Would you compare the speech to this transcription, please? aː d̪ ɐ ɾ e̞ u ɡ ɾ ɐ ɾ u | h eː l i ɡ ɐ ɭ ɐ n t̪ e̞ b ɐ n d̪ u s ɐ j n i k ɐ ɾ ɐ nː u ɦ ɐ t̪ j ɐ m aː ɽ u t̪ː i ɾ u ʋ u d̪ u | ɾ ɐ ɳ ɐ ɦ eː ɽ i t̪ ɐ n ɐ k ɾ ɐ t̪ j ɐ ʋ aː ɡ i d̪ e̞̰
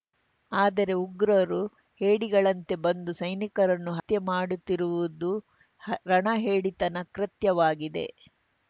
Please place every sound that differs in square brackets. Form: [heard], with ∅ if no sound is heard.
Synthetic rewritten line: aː d̪ ɐ ɾ e̞ u ɡ ɾ ɐ ɾ u | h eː [ɽ] i ɡ ɐ ɭ ɐ n t̪ e̞ b ɐ n d̪ u s ɐ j n i k ɐ ɾ ɐ nː u ɦ ɐ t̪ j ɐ m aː ɽ u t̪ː i ɾ u ʋ u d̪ u | ɾ ɐ ɳ ɐ ɦ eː ɽ i t̪ ɐ n ɐ k ɾ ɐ t̪ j ɐ ʋ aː ɡ i d̪ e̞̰